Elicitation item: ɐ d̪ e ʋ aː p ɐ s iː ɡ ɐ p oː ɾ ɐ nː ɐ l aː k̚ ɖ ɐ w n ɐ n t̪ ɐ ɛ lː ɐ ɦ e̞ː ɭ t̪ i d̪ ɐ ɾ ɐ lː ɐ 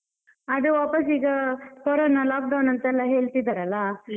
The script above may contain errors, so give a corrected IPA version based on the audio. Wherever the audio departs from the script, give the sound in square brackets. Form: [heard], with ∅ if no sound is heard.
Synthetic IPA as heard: ɐ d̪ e ʋ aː p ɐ s iː ɡ ɐ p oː ɾ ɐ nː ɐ l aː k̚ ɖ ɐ w n ɐ n t̪ ɐ ɛ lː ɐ ɦ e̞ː ɭ t̪ i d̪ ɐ ɾ ɐ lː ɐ